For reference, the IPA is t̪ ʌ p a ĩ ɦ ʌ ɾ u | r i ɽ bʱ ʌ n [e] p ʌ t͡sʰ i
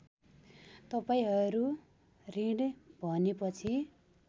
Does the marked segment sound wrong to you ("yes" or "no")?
no